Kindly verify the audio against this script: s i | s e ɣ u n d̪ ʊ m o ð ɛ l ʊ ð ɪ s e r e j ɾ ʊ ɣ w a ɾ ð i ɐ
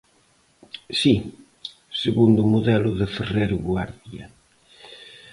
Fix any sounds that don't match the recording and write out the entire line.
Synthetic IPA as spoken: s i | s e ɣ u n d̪ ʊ m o ð ɛ l ʊ ð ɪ f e r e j ɾ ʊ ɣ w a ɾ ð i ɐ